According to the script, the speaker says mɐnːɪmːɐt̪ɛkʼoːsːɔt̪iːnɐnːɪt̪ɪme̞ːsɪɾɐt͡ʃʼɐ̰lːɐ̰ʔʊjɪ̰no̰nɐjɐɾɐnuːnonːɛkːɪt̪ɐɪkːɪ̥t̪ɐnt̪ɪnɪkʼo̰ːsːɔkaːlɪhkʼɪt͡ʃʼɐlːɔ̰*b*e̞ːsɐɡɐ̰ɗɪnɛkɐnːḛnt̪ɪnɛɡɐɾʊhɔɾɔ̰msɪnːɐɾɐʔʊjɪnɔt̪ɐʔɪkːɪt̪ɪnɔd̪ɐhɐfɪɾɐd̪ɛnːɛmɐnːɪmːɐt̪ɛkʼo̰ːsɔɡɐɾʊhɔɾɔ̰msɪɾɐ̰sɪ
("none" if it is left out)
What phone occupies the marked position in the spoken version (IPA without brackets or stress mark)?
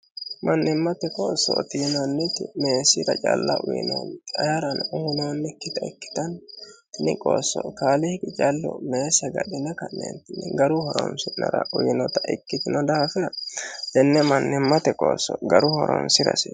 m